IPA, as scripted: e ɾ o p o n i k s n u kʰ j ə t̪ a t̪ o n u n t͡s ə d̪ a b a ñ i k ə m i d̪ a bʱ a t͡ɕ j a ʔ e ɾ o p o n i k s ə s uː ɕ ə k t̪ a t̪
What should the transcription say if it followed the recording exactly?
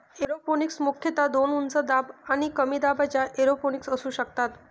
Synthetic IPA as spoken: e ɾ o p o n i k s m u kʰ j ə t̪ a d̪ o n u n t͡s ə d̪ a b a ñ i k ə m i d̪ a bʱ a t͡ɕ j a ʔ e ɾ o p o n i k s ə s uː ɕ ə k t̪ a t̪